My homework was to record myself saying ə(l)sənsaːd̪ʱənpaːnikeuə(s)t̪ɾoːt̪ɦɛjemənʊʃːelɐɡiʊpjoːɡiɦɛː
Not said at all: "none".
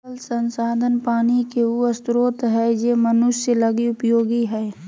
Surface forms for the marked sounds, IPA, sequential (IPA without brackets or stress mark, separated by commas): l, s